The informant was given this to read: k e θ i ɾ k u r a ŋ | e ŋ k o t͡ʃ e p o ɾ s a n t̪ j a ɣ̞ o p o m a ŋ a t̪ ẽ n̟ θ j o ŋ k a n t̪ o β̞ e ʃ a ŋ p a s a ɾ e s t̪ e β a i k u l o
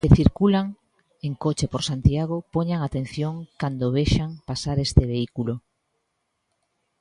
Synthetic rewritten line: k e θ i ɾ k u l a ŋ | e ŋ k o t͡ʃ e p o ɾ s a n t̪ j a ɣ̞ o p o ɲ a ŋ a t̪ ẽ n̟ θ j o ŋ k a n d̪ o β̞ e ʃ a ŋ p a s a ɾ e s t̪ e β e i k u l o